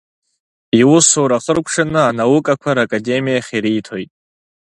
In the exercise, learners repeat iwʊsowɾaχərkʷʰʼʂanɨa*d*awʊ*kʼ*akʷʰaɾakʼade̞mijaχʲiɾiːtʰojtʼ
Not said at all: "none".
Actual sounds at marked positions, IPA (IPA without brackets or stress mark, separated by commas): n, kʼ